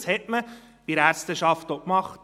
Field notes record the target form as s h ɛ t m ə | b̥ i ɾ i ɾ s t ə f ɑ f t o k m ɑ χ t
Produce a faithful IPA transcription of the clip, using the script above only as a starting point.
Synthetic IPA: s h ɛ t m ə | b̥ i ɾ æ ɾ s t ə ʃ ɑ f t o k m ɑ χ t